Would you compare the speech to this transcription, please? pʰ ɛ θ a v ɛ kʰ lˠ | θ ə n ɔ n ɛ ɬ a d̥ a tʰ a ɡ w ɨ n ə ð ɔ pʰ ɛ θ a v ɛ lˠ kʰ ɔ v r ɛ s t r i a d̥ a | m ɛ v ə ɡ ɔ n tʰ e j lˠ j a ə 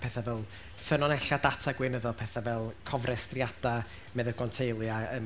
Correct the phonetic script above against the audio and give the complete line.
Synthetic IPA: pʰ ɛ θ a v ɛ lˠ | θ ə n ɔ n ɛ ɬ a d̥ a tʰ a ɡ w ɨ n ə ð ɔ pʰ ɛ θ a v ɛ lˠ kʰ ɔ v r ɛ s t r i a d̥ a | m ɛ ð ə ɡ ɔ n tʰ e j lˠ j a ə